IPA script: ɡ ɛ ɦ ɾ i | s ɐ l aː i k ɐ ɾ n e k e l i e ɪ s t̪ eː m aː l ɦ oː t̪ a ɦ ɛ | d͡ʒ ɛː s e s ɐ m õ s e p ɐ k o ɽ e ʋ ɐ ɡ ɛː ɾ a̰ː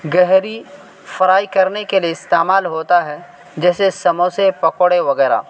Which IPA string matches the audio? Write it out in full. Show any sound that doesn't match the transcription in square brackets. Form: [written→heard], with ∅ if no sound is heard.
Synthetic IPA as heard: ɡ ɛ ɦ ɾ i | [s→f] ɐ [l→ɾ] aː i k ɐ ɾ n e k e l i e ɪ s t̪ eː m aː l ɦ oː t̪ a ɦ ɛ | d͡ʒ ɛː s e s ɐ m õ s e p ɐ k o ɽ e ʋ ɐ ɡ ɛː ɾ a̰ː